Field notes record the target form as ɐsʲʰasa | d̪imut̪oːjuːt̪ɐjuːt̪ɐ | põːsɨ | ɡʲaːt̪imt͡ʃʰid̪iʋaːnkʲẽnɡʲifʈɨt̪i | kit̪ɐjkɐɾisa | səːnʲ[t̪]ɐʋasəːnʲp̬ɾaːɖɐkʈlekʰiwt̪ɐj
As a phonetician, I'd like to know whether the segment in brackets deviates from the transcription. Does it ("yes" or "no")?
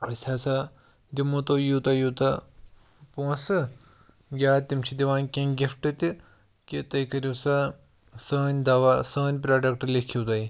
yes